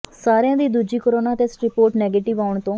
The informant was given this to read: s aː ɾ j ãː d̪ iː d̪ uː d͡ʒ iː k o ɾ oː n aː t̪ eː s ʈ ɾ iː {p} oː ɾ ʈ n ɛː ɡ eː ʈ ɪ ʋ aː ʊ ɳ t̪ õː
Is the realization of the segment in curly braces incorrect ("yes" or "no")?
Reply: no